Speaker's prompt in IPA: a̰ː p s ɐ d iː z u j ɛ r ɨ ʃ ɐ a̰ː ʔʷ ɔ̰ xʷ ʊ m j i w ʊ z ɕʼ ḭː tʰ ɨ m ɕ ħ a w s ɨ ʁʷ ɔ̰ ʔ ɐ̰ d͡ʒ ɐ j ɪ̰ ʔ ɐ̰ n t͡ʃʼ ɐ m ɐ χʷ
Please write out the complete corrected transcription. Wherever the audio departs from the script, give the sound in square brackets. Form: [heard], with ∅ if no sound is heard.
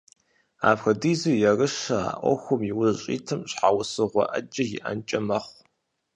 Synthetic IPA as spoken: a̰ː p [x] ɐ d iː z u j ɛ r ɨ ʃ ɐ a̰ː ʔʷ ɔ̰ xʷ ʊ m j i w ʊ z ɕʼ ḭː tʰ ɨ m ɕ ħ a w s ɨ ʁʷ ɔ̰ ʔ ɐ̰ d͡ʒ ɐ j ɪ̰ ʔ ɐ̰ n t͡ʃʼ ɐ m ɐ χʷ